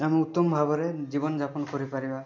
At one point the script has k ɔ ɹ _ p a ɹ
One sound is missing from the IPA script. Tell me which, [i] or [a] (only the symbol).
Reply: i